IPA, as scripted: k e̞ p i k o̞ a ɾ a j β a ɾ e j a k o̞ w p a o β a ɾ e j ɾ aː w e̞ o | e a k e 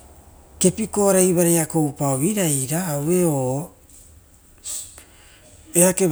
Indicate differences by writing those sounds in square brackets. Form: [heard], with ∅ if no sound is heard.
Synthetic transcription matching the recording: k e̞ p i k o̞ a ɾ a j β a ɾ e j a k o̞ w p a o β [i] ɾ [a] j ɾ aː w e̞ o | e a k e